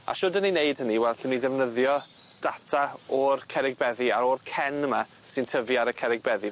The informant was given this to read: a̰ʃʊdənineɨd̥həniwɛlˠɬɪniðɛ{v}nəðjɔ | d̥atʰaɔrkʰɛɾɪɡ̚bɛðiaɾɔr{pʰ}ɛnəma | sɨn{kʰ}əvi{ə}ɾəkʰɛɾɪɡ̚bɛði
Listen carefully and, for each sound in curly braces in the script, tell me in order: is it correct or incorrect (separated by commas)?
correct, incorrect, incorrect, incorrect